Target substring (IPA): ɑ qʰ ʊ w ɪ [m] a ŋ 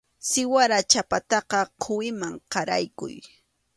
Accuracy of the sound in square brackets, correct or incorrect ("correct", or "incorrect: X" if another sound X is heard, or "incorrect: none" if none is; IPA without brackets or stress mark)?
correct